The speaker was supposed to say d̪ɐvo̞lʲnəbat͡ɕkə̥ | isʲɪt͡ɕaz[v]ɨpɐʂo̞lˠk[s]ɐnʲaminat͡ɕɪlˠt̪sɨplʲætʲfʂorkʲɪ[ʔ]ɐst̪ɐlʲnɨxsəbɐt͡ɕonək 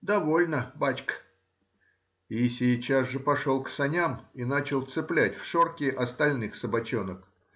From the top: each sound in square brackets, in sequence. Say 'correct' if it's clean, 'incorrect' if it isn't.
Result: incorrect, correct, correct

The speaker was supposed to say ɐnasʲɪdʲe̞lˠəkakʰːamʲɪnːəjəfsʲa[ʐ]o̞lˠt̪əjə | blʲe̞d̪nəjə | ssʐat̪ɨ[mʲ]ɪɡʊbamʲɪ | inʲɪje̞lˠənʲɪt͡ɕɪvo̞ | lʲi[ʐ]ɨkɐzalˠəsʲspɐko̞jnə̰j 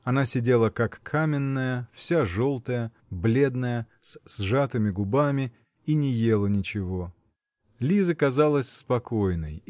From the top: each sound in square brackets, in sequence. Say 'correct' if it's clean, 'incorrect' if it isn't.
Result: correct, correct, incorrect

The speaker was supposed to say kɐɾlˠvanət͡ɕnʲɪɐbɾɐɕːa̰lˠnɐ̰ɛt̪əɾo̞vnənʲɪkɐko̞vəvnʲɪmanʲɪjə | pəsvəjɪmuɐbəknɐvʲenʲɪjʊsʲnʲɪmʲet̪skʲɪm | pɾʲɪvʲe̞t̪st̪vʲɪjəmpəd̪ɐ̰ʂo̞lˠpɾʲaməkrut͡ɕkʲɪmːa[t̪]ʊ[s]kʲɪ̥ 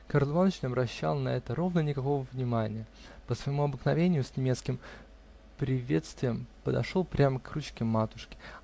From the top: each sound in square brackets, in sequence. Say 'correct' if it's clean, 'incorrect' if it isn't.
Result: correct, incorrect

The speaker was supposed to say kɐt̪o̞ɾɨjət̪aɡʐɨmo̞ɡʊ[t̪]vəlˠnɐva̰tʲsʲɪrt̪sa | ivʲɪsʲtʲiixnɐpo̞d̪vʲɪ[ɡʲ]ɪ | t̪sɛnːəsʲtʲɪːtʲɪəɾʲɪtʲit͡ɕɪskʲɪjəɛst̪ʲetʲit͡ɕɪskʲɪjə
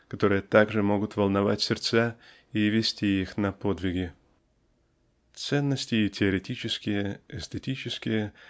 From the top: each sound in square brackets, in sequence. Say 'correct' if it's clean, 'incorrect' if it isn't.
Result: correct, correct

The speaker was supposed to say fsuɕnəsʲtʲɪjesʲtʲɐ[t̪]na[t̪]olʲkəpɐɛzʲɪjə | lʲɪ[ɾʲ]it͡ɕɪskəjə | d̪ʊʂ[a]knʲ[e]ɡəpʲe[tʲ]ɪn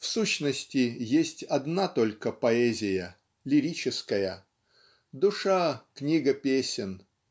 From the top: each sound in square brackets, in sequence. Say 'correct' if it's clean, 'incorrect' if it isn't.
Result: incorrect, correct, correct, correct, incorrect, incorrect

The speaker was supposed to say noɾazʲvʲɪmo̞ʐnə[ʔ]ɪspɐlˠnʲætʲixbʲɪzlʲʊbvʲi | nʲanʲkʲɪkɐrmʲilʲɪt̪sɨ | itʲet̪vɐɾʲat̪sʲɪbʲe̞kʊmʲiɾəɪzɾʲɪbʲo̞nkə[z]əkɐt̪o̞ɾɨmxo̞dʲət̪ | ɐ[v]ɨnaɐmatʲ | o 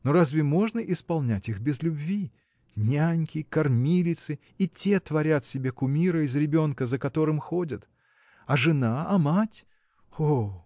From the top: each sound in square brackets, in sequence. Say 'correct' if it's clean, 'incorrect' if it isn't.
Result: correct, correct, incorrect

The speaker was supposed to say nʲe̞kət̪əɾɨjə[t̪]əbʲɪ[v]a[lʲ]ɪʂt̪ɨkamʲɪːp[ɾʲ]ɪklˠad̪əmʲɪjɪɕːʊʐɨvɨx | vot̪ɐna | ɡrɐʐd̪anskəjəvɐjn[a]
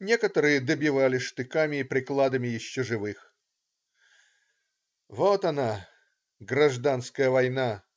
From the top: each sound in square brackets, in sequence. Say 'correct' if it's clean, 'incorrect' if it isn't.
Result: incorrect, correct, correct, correct, correct

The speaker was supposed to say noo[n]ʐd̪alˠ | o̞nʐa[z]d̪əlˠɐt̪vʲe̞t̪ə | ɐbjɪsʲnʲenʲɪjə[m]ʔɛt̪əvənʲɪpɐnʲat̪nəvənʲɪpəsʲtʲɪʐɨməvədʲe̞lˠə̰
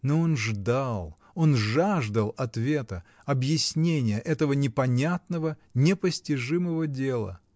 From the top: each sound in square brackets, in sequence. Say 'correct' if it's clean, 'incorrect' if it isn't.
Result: correct, incorrect, incorrect

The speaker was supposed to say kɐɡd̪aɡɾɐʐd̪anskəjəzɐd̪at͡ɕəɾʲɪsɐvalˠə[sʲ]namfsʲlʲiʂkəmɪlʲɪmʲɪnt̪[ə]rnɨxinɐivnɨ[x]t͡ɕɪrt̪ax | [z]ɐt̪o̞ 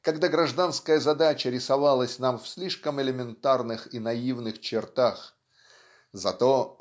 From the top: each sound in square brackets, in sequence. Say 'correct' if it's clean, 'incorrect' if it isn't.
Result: correct, incorrect, correct, correct

